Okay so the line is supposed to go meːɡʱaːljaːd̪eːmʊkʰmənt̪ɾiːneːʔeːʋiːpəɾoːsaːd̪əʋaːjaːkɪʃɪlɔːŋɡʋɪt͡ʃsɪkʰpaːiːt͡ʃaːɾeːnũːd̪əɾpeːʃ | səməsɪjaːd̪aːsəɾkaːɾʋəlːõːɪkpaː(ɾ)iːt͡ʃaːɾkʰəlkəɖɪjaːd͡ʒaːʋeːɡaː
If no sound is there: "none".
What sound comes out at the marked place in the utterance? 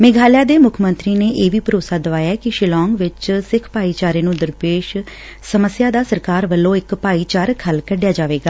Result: none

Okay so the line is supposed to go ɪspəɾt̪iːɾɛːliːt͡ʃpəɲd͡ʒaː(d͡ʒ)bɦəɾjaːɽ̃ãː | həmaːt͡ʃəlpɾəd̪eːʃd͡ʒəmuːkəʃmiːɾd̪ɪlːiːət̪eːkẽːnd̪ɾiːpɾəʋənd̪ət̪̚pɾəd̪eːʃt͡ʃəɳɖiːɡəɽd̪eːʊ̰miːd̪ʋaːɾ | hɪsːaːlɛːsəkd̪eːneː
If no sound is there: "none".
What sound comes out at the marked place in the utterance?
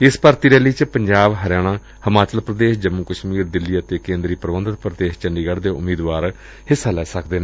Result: none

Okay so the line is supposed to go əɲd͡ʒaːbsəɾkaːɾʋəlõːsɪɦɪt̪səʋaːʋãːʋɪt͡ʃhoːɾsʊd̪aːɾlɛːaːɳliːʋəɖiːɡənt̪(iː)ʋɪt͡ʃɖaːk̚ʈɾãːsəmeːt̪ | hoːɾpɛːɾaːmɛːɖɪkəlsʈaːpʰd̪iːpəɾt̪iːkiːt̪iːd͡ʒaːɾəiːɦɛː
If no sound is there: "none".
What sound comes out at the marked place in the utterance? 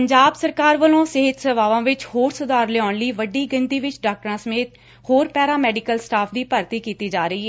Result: iː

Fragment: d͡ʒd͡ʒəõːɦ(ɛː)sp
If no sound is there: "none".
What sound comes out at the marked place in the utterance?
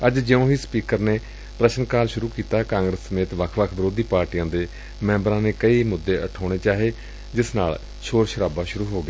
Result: iː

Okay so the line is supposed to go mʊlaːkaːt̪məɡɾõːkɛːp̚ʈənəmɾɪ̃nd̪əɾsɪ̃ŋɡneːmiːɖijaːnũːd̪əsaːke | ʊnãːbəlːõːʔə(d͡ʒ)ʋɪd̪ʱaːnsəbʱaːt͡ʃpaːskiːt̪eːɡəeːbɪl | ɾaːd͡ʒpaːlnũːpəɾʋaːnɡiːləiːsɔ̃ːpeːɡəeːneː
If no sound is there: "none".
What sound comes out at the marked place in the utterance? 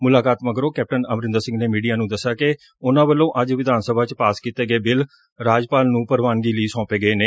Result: d͡ʒ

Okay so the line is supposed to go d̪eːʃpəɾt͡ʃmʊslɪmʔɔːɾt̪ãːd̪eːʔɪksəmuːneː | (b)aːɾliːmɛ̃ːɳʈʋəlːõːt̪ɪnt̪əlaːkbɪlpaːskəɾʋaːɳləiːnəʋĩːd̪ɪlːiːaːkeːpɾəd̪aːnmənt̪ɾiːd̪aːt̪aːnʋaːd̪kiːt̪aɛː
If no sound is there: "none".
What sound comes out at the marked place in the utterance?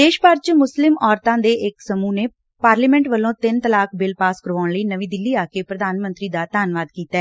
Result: p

